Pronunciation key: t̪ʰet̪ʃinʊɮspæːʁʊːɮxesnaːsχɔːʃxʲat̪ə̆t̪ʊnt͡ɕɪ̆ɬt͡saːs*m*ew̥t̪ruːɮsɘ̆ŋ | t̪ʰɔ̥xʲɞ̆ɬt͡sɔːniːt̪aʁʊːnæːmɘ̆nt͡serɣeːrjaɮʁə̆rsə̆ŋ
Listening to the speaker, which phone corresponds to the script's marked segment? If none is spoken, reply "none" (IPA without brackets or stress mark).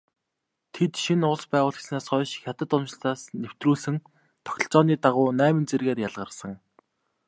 n